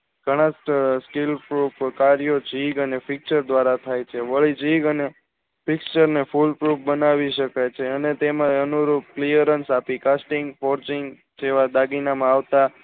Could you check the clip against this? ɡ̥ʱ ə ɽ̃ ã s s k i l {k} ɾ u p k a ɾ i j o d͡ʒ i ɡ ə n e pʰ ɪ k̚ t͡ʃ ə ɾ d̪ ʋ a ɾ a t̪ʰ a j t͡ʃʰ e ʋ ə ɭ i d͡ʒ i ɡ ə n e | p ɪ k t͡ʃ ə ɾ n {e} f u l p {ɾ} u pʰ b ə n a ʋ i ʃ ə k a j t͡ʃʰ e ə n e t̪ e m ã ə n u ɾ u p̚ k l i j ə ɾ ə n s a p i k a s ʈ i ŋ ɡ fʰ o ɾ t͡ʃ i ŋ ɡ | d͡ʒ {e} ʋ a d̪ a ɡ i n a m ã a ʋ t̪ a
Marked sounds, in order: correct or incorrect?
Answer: incorrect, correct, correct, correct

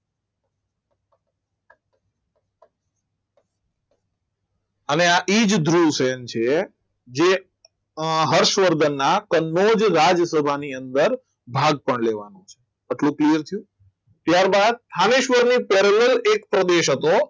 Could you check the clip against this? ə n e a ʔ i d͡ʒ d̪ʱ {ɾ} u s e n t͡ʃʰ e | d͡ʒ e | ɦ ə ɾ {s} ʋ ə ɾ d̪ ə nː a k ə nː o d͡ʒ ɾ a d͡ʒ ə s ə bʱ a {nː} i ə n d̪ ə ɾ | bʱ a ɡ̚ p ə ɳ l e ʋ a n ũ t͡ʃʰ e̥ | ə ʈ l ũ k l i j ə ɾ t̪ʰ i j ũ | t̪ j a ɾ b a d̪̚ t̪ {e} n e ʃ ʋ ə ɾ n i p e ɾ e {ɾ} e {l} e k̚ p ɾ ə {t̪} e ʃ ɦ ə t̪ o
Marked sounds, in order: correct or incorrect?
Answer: correct, incorrect, incorrect, incorrect, incorrect, correct, incorrect

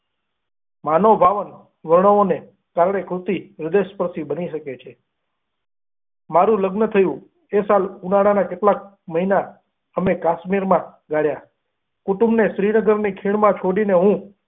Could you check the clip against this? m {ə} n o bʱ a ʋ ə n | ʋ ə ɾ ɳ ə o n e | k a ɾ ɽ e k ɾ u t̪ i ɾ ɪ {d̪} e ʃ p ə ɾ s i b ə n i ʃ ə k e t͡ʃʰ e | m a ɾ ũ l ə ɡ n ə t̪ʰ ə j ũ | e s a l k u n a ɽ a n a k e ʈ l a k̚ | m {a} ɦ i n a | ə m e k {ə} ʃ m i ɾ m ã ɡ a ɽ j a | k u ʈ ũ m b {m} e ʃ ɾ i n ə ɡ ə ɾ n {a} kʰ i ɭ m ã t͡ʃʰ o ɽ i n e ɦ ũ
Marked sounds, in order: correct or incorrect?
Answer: incorrect, correct, incorrect, incorrect, incorrect, incorrect

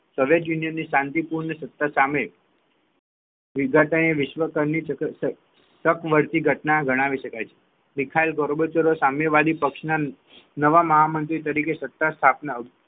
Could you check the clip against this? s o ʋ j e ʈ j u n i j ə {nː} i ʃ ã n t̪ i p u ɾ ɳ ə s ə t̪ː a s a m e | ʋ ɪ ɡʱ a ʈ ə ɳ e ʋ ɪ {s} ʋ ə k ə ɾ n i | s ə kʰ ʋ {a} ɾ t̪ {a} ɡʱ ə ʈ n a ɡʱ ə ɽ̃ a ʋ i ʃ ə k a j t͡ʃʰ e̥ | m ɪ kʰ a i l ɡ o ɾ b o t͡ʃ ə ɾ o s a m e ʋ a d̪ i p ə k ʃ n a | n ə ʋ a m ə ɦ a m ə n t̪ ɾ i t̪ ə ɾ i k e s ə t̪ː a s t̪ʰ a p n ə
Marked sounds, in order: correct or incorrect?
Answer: correct, incorrect, incorrect, incorrect

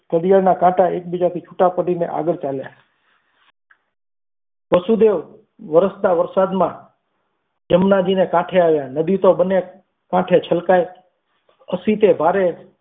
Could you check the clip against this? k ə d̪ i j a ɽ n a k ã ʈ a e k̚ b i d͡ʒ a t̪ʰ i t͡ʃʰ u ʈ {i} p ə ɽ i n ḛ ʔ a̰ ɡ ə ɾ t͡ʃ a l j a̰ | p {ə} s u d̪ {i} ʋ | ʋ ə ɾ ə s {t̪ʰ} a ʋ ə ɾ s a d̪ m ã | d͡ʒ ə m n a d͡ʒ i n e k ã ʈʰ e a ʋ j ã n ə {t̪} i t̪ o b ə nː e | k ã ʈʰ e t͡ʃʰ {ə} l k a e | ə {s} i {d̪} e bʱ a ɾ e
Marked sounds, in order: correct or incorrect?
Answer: incorrect, correct, incorrect, incorrect, incorrect, correct, correct, incorrect

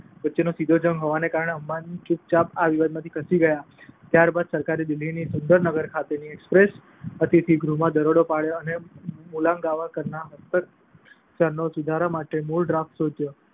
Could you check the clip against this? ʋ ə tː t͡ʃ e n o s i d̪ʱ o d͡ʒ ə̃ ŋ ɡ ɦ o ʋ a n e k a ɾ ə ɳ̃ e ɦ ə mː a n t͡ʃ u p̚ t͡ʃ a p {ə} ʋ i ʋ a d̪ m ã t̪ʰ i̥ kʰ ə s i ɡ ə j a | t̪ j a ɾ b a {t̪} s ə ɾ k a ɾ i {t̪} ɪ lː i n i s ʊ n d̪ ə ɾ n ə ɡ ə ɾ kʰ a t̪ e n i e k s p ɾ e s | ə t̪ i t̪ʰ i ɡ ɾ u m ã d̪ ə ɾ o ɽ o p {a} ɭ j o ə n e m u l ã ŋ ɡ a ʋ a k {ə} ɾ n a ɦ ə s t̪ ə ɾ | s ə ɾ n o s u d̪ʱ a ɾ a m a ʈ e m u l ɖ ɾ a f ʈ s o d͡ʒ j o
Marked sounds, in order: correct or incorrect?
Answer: incorrect, incorrect, incorrect, correct, correct

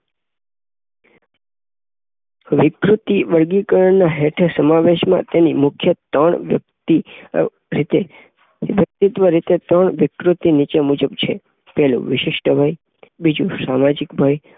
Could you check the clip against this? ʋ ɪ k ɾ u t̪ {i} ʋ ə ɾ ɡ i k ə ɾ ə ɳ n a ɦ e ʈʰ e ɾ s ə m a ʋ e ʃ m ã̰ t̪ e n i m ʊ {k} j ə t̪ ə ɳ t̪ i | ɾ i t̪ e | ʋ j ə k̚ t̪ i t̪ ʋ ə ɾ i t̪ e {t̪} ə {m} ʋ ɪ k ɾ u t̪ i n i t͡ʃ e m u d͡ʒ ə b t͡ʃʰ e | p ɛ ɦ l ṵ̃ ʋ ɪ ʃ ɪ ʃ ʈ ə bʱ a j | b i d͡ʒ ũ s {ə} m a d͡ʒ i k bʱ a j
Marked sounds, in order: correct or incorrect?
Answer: correct, incorrect, correct, incorrect, incorrect

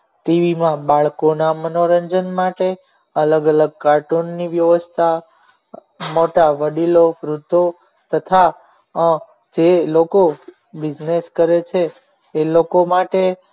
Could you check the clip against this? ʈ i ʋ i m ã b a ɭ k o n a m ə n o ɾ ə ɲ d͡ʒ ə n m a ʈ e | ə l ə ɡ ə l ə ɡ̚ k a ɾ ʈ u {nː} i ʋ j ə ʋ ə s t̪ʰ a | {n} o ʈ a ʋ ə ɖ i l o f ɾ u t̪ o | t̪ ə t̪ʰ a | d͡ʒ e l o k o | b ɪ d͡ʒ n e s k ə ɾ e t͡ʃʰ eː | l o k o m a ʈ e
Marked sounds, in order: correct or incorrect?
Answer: correct, incorrect

